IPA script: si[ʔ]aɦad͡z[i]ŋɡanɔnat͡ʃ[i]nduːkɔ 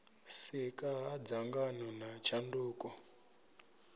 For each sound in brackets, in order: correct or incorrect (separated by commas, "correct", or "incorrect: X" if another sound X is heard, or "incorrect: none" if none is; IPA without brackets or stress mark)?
incorrect: k, incorrect: a, incorrect: a